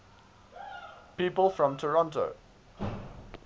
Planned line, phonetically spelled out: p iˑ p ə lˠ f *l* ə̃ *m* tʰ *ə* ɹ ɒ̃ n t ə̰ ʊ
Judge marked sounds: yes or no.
no, yes, yes

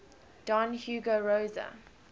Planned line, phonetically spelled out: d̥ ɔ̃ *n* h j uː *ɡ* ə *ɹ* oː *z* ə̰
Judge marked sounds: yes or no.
yes, yes, yes, yes

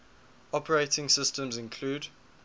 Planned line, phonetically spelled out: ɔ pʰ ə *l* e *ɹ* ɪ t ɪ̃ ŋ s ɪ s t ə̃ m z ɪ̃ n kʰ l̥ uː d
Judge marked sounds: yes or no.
no, no

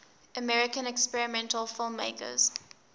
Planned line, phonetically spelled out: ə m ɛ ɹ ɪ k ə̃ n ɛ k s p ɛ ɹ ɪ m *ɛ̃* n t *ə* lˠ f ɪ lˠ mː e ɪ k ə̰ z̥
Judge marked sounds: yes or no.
yes, yes

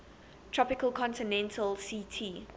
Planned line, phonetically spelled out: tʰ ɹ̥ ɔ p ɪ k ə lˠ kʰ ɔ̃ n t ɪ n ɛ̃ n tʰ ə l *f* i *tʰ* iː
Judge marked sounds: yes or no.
no, yes

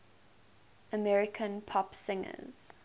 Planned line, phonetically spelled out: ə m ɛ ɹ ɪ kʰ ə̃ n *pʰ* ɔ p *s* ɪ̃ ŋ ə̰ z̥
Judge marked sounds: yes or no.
yes, yes

